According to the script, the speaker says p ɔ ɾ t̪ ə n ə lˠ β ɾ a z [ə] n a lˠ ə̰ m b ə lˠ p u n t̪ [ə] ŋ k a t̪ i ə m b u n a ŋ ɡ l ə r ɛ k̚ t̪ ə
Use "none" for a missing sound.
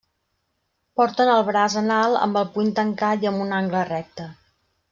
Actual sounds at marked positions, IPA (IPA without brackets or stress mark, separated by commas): ə, ə